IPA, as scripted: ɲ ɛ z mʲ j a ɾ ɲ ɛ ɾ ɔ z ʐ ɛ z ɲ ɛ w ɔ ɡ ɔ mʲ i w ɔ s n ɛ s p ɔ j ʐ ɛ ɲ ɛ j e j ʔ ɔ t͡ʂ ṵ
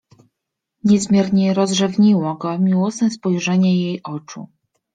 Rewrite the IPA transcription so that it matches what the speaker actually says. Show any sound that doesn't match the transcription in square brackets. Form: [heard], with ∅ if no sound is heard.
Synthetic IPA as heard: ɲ ɛ z mʲ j [ɛ] ɾ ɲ ɛ ɾ ɔ z ʐ ɛ [v] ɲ [i] w ɔ ɡ ɔ mʲ i w ɔ s n ɛ s p ɔ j ʐ ɛ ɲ ɛ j e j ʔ ɔ t͡ʂ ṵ